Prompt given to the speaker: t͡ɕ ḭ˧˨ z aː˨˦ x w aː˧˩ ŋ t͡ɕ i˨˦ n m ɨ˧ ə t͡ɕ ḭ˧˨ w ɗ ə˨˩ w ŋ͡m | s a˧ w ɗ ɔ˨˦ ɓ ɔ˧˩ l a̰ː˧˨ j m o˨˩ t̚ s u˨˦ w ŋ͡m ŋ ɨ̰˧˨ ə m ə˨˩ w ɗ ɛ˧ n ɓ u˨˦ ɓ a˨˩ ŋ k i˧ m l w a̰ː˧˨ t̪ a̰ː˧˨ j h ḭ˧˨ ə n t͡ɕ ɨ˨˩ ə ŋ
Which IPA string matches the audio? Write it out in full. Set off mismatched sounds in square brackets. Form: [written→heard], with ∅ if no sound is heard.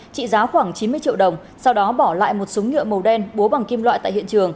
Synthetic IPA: t͡ɕ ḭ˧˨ z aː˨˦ x w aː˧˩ ŋ t͡ɕ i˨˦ n m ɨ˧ ə t͡ɕ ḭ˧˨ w ɗ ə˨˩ w ŋ͡m | s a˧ w ɗ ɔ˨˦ ɓ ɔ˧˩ l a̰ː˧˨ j m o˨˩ t̚ s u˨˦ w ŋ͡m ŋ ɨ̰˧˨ ə m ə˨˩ w ɗ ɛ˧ n ɓ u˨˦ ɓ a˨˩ ŋ k i˧ m l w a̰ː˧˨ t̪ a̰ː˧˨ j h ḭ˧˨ ə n t͡ɕ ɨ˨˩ ə ŋ